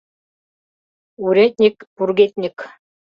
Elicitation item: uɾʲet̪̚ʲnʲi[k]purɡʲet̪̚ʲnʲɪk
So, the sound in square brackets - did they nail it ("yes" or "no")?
yes